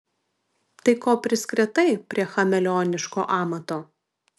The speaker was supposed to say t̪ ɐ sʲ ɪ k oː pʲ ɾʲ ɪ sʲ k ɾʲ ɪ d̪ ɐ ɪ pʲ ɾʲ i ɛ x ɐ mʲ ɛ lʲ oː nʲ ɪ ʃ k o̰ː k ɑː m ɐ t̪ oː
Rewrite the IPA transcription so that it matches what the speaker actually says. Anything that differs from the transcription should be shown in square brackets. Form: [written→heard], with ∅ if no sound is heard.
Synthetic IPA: t̪ ɐ [sʲ→∅] ɪ k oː pʲ ɾʲ ɪ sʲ k ɾʲ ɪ [d̪→t̪] ɐ ɪ pʲ ɾʲ i ɛ x ɐ mʲ ɛ lʲ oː nʲ ɪ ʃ k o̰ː [k→ʔ] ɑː m ɐ t̪ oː